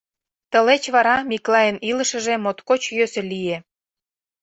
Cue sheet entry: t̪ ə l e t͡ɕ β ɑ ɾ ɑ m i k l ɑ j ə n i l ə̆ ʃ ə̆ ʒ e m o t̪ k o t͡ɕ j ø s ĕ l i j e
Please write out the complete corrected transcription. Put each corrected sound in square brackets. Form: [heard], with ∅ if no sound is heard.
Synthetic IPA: t̪ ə l e t͡ɕ β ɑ ɾ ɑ m i k l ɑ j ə n i l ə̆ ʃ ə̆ ʒ e m o t̪ k o t͡ɕ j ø s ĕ l i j e